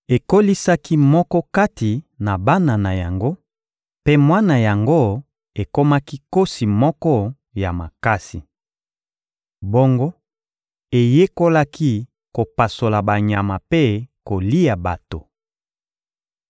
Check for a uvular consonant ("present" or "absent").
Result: absent